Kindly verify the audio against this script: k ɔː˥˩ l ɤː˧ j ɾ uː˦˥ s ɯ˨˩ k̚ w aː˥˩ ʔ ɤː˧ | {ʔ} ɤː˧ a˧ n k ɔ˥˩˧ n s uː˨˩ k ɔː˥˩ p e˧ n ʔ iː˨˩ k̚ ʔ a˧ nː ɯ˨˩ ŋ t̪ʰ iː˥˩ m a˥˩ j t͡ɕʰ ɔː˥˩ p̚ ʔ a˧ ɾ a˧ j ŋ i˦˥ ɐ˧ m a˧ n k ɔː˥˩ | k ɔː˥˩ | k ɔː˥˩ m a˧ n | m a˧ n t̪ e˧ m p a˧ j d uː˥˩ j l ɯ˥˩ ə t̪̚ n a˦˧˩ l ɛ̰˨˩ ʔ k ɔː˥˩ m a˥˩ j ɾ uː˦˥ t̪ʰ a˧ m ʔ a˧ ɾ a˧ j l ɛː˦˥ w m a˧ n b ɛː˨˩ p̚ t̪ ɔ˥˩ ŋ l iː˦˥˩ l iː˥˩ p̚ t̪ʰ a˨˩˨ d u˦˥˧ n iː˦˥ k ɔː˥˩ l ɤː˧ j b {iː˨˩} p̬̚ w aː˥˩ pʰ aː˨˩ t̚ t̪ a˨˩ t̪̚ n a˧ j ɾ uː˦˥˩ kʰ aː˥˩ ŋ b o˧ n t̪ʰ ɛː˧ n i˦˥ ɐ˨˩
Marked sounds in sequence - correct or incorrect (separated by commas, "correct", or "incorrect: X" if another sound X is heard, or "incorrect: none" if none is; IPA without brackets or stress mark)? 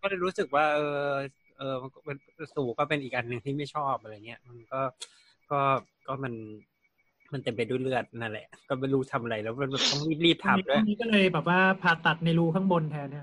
correct, incorrect: ɛː˨˩